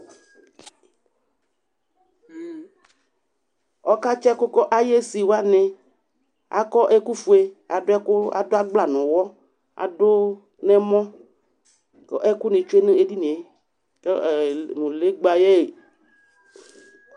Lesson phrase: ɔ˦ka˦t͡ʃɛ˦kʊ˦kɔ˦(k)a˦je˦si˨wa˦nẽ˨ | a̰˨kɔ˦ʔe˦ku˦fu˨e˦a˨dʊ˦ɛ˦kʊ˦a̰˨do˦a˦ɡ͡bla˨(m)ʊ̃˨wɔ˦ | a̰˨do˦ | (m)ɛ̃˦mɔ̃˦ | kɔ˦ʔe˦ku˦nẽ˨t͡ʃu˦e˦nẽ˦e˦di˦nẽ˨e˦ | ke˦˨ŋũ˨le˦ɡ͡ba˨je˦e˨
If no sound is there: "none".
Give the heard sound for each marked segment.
ʔ, n, n

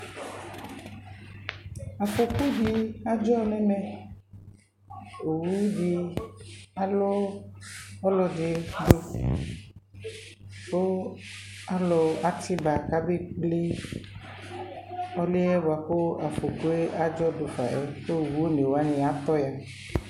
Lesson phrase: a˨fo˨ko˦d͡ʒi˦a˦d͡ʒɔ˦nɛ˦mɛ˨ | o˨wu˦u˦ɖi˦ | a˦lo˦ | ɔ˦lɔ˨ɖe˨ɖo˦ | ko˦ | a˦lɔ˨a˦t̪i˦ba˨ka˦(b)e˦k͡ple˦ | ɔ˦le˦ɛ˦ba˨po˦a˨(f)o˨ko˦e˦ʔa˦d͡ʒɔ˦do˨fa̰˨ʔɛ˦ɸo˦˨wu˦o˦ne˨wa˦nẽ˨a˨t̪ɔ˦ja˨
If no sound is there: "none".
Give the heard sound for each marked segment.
b, f

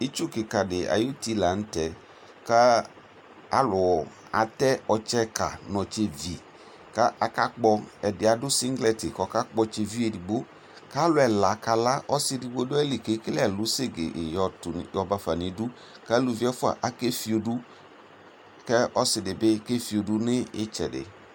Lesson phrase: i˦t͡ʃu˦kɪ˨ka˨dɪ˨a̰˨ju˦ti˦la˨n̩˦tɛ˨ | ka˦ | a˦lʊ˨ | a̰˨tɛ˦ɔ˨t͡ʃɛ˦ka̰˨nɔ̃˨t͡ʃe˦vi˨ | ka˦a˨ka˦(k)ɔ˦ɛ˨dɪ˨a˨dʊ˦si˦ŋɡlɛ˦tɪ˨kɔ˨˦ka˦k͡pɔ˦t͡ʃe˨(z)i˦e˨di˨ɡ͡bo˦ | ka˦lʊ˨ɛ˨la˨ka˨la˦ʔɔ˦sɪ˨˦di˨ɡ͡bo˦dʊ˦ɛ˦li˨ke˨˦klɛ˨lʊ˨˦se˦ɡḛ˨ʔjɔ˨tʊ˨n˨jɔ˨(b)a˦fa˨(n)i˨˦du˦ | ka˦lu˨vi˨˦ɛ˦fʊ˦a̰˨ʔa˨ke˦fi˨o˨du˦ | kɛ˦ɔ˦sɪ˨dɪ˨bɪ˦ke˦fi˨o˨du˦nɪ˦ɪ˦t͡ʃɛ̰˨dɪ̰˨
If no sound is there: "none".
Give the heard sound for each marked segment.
k͡p, v, b, n

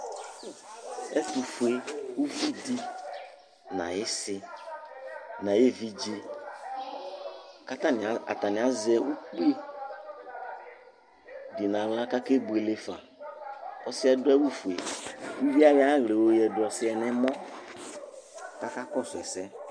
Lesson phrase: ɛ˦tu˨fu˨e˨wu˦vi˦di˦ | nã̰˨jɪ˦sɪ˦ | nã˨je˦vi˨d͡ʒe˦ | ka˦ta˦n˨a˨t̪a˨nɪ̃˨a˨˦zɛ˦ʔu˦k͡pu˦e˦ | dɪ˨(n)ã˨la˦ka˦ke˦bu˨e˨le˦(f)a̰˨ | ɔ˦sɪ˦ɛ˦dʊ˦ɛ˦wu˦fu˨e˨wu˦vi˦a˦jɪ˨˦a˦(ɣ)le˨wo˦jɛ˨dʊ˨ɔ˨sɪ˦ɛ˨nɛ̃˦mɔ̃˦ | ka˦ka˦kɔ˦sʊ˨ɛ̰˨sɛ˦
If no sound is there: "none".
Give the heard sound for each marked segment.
n, f, ɣ

